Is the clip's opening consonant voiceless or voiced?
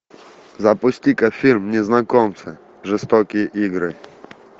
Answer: voiced